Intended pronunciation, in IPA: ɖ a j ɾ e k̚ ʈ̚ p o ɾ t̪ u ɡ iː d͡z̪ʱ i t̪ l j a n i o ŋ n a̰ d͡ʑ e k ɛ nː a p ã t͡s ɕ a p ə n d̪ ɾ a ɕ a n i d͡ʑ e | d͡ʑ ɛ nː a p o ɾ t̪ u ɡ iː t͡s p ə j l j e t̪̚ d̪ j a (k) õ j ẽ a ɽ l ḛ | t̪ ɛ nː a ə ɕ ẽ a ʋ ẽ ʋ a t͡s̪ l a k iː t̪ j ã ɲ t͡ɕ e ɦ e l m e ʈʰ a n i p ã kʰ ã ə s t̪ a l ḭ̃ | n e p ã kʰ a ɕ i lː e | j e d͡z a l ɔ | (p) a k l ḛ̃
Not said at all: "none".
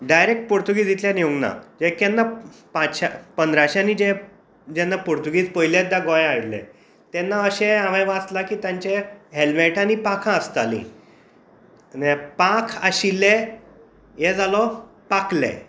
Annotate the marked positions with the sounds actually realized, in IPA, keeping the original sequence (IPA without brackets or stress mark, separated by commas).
ɡ, p